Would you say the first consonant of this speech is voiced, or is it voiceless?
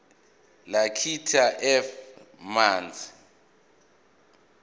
voiced